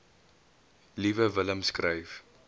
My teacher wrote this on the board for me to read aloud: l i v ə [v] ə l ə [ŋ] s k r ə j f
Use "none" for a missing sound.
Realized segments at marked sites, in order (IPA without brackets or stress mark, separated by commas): v, m